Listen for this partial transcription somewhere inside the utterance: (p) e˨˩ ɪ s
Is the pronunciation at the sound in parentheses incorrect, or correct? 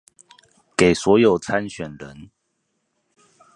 incorrect